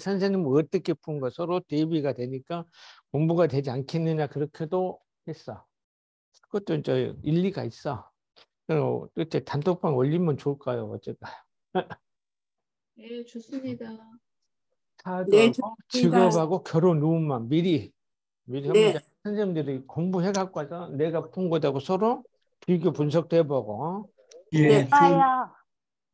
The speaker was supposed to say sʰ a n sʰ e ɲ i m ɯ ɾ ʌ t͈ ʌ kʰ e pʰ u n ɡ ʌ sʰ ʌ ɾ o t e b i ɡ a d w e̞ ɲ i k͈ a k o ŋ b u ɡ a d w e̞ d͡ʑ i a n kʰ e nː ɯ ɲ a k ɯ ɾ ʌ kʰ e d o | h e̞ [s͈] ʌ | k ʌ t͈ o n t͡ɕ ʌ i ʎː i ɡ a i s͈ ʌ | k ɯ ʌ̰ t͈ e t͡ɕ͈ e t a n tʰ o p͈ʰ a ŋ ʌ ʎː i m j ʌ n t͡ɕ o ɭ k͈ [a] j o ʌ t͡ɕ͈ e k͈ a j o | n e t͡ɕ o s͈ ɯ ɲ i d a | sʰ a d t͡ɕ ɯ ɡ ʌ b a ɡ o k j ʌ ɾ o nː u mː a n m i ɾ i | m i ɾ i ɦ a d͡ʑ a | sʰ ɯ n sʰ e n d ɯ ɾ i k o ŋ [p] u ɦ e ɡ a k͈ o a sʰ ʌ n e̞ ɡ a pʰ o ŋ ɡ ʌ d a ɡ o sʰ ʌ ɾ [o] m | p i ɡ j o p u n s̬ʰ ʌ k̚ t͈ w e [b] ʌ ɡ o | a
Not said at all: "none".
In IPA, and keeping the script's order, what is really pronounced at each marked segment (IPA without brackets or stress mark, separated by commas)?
s͈, a, b, o, b